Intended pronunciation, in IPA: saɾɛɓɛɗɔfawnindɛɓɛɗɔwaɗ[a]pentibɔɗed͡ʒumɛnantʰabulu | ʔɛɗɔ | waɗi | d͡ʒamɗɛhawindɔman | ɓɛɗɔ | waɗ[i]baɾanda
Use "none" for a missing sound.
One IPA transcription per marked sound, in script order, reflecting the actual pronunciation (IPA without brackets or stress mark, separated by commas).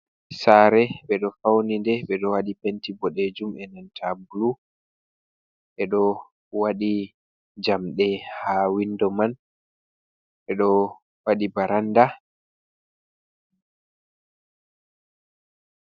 i, i